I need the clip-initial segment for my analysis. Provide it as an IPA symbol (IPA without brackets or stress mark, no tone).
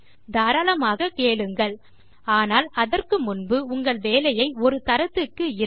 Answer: d̪